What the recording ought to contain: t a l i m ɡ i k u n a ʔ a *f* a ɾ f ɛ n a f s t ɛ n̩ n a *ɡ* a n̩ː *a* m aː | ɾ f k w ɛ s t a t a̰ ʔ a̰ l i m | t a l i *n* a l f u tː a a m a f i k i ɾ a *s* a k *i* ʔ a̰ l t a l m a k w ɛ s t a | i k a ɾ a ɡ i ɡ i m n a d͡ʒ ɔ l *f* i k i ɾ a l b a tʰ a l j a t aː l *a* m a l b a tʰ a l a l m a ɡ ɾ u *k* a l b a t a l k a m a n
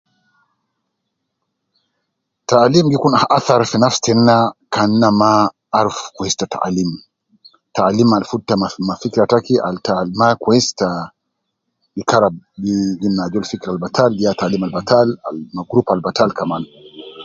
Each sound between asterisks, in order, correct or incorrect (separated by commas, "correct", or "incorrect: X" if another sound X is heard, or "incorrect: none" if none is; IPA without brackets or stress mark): incorrect: θ, incorrect: k, correct, incorrect: m, incorrect: t, correct, correct, incorrect: i, incorrect: p